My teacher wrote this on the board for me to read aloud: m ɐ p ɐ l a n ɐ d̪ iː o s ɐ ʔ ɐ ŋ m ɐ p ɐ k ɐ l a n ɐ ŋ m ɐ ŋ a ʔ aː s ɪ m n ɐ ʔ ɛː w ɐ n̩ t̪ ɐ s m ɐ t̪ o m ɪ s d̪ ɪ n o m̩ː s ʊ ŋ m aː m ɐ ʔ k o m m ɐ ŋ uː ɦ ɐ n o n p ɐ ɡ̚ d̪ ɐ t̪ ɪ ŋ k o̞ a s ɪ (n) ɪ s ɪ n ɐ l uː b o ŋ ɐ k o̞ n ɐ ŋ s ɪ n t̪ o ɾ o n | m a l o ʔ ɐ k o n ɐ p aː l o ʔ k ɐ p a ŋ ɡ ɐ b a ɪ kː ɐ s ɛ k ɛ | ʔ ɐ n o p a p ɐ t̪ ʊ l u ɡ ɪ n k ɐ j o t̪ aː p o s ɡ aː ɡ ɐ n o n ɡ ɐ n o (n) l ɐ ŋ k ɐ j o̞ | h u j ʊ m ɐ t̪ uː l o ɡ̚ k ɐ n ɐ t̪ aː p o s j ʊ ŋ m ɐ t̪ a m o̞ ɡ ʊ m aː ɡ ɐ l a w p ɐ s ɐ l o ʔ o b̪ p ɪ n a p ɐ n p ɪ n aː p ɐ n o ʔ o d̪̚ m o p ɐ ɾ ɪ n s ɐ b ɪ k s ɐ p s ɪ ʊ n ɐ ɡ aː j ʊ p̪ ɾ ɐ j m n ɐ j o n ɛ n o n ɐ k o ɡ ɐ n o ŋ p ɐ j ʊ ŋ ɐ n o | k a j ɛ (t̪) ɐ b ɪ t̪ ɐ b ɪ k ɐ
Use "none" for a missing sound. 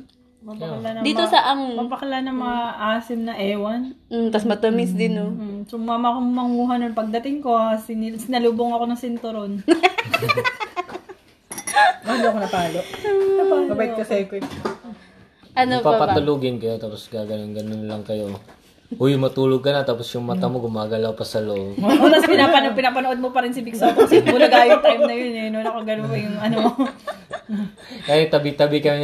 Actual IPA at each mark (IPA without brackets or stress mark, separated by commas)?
n, n, t̪